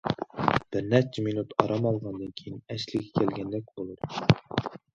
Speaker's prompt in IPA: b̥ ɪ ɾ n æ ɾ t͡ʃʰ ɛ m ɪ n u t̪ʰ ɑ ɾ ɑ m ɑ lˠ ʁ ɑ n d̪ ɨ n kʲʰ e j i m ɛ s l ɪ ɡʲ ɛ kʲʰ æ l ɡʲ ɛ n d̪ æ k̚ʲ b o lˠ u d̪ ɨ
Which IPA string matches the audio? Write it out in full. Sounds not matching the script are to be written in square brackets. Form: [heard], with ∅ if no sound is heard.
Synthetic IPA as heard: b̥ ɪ ɾ n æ ɾ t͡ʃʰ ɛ m [i] n u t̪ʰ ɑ ɾ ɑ m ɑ lˠ ʁ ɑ n d̪ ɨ n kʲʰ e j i [n] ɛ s l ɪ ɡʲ ɛ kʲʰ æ l ɡʲ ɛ n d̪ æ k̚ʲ b o lˠ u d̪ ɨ